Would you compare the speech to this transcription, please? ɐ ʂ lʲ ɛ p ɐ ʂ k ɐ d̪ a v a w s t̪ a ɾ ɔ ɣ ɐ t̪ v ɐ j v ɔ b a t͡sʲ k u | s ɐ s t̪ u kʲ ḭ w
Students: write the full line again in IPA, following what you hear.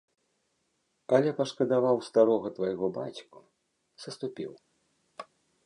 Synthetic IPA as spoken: ɐ lʲ ɛ p ɐ ʂ k ɐ d̪ a v a w s t̪ a ɾ ɔ ɣ ɐ t̪ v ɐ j ɣ ɔ b a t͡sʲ k u | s ɐ s t̪ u pʲ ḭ w